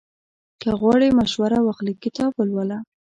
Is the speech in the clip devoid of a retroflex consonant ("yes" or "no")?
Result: no